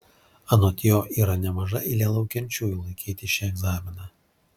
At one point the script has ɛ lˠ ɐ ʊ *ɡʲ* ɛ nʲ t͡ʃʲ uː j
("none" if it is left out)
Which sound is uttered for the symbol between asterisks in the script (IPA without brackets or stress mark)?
kʲ